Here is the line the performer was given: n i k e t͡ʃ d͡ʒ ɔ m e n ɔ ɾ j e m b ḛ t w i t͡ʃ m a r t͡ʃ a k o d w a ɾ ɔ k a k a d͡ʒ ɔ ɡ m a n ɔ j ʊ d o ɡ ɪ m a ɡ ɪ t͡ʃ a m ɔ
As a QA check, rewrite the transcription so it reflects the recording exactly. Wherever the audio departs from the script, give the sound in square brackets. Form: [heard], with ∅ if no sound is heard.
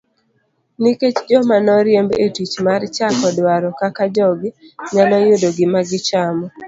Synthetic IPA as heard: n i k e t͡ʃ d͡ʒ ɔ m [a] n ɔ ɾ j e m b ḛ t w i t͡ʃ m a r t͡ʃ a k [ɔ] d w a ɾ ɔ k a k a d͡ʒ ɔ ɡ [ɲ] a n ɔ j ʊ d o ɡ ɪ m a ɡ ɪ t͡ʃ a m ɔ